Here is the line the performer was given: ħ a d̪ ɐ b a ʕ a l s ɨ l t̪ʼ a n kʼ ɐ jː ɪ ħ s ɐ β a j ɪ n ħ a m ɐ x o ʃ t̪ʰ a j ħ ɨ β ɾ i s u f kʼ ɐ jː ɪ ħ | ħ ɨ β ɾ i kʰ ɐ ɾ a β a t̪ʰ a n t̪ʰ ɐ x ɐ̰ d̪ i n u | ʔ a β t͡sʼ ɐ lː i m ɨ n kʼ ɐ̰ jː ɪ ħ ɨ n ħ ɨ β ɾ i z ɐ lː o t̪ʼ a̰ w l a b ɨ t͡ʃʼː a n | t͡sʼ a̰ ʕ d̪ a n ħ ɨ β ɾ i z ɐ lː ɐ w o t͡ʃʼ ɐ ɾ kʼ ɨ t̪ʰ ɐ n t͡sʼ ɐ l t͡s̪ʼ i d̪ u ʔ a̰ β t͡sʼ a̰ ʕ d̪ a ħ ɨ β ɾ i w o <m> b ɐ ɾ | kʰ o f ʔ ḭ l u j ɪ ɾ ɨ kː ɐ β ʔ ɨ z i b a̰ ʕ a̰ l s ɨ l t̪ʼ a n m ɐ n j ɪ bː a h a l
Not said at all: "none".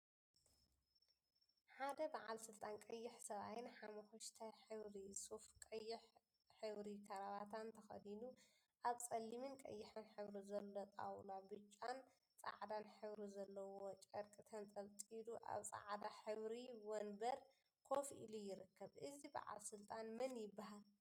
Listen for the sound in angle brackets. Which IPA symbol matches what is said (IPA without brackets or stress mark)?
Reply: n